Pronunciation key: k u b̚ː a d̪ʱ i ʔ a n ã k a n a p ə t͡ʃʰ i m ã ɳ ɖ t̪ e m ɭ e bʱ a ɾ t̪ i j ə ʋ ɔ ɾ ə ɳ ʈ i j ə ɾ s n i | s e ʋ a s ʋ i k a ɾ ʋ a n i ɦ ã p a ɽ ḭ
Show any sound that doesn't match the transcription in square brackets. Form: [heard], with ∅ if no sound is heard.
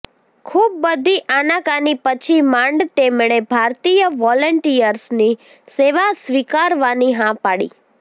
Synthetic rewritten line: [kʰ] u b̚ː [ə] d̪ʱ i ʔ a n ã k a n [i] p ə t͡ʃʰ i m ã ɳ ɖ t̪ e m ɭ e bʱ a ɾ t̪ i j ə ʋ ɔ [l] ə ɳ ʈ i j ə ɾ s n i | s e ʋ a s ʋ i k a ɾ ʋ a n i ɦ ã p a ɽ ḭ